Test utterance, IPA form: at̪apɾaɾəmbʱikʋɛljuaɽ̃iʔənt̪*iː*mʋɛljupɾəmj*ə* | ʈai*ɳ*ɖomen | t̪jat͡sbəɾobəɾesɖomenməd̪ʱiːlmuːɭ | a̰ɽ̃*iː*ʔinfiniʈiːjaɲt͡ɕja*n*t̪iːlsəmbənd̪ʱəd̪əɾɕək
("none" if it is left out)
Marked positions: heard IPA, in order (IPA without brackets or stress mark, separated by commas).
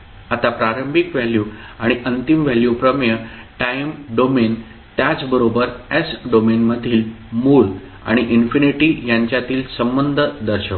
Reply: i, ə, m, i, none